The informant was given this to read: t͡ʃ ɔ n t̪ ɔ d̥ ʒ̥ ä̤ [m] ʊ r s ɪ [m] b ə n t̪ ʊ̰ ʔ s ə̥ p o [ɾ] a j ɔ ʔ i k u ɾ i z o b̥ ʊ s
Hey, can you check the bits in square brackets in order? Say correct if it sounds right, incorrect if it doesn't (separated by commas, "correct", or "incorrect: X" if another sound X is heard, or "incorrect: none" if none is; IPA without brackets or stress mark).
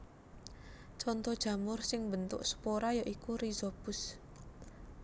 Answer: correct, incorrect: ŋ, correct